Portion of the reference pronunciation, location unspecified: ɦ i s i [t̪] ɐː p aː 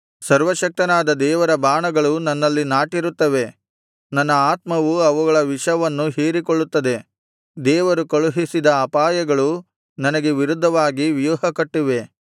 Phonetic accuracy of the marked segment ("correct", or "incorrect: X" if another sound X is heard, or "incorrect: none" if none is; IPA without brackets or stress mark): incorrect: d̪